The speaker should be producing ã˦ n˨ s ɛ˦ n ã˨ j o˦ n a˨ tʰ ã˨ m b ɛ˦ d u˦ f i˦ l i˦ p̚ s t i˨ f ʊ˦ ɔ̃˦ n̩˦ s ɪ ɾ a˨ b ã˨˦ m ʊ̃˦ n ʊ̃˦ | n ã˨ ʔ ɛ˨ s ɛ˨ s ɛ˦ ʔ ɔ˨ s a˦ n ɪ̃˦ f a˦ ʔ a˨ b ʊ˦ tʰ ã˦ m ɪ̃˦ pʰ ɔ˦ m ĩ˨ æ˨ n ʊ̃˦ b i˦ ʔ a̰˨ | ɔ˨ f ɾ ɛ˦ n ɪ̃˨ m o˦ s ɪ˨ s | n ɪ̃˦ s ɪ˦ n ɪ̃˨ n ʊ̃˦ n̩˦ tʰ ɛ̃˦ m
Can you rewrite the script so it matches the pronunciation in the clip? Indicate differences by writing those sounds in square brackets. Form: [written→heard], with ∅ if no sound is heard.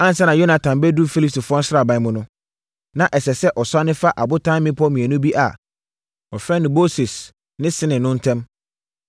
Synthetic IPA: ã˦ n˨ s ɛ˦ n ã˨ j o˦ n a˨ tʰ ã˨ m b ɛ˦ d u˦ f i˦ l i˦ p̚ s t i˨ f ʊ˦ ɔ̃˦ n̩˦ s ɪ ɾ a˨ b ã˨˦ m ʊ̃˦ n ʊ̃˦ | n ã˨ ʔ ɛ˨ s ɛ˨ s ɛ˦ ʔ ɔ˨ s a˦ n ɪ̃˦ f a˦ ʔ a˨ b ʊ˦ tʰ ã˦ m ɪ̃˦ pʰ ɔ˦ m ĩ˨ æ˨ n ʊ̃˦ b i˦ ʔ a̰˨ | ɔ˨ f ɾ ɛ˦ n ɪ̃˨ m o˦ s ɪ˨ s | n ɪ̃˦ s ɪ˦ n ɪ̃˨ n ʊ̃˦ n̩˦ tʰ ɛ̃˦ m